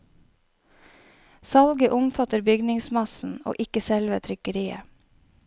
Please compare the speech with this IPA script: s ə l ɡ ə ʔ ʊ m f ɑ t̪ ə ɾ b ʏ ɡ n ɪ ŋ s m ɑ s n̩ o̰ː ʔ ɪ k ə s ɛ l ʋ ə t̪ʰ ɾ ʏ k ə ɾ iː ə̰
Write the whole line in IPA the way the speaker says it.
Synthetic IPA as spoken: s ɑ l ɡ ə ʔ ʊ m f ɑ t̪ ə ɾ b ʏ ɡ n ɪ ŋ s m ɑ s n̩ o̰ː ʔ ɪ k ə s ɛ l ʋ ə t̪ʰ ɾ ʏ k ə ɾ iː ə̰